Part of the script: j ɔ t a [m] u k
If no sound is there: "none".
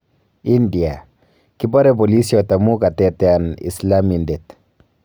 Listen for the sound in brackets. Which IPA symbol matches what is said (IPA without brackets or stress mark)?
m